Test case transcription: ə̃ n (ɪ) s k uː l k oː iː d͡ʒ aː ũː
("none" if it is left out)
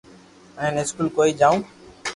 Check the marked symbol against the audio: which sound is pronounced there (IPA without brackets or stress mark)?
ɪ